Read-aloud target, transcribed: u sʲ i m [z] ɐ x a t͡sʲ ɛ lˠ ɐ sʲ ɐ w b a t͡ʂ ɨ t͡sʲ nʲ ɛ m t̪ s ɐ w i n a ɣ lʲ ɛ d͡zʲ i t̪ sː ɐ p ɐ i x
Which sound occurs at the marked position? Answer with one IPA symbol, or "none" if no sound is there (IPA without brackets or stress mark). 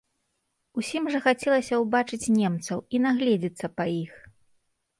ʐ